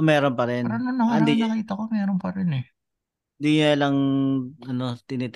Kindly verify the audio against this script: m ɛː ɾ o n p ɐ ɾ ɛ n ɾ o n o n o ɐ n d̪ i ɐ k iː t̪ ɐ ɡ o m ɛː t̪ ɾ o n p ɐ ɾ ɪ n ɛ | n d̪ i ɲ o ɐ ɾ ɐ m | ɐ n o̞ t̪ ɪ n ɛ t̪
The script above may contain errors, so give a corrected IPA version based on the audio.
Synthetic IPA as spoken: m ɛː ɾ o n p ɐ ɾ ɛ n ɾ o n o n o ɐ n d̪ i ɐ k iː t̪ ɐ k o m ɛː ɾ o n p ɐ ɾ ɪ n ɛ | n d̪ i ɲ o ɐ l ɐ ŋ | ɐ n o̞ t̪ ɪ n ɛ t̪